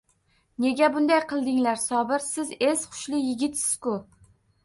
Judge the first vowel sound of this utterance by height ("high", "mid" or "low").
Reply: mid